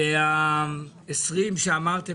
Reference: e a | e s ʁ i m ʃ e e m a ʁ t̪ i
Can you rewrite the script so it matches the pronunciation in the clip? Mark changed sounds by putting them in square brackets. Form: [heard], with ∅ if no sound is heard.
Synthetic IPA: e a | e s ʁ i m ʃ e [a] m a ʁ t̪ [e]